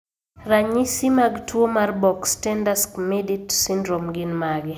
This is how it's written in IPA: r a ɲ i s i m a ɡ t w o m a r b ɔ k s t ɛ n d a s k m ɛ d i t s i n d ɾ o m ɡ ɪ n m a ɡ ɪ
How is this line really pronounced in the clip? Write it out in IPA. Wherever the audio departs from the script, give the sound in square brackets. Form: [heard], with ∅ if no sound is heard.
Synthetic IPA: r a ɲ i s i m a ɡ t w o m a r b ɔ k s t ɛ n d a s k m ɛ d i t s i n d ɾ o m ɡ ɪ n m a ɡ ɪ